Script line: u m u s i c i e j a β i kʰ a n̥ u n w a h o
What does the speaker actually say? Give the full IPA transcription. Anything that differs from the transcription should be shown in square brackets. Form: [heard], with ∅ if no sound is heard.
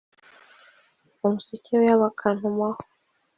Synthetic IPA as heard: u m u s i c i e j a β [a] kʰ a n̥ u [m] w a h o